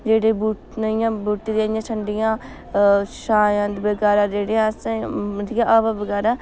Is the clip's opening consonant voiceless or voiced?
voiced